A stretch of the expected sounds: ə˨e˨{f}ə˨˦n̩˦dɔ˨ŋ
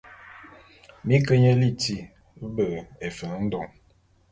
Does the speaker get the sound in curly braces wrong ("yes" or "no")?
no